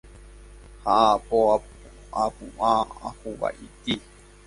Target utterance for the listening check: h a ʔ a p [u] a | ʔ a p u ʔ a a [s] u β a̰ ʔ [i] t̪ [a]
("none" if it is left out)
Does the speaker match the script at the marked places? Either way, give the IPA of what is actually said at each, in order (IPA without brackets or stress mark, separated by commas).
o, h, i, i